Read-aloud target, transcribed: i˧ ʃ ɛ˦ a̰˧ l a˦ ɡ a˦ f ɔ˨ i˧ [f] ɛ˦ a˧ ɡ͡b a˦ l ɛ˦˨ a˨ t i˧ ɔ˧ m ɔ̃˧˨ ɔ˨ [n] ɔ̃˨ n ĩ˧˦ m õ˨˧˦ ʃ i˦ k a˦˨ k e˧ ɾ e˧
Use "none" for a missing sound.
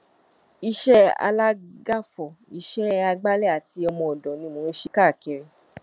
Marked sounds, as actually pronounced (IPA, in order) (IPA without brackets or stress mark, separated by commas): ʃ, d